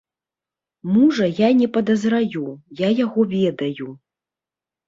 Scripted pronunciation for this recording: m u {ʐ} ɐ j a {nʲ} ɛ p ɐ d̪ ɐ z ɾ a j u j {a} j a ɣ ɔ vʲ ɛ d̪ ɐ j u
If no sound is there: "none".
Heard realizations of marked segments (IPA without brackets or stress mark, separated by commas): ʐ, nʲ, a